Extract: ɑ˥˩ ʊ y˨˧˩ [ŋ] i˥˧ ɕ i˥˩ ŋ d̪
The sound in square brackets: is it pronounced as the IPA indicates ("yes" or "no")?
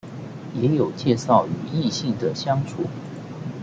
no